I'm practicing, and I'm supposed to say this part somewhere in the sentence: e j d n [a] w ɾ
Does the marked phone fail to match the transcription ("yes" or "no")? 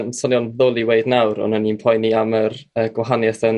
no